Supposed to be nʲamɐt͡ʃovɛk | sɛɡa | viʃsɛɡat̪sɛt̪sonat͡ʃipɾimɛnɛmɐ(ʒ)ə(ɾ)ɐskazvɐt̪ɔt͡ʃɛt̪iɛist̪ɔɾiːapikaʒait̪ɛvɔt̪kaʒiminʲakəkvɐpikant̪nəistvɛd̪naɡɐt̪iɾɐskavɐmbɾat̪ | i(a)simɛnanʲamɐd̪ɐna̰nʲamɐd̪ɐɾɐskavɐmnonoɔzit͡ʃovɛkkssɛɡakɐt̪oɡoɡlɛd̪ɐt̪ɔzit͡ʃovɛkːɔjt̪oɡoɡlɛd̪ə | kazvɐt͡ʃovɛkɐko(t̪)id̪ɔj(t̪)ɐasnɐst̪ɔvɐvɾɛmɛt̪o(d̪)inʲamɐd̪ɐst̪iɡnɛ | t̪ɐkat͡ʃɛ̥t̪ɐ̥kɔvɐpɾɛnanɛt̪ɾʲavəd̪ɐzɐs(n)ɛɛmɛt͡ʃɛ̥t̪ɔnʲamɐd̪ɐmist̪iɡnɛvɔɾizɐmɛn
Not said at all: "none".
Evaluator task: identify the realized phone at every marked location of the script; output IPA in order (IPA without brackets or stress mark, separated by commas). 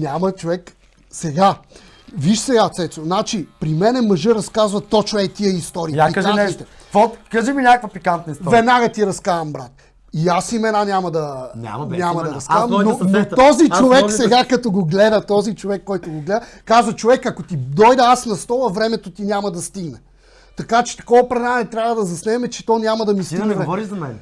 ʒ, ɾ, a, t̪, d̪, t̪, n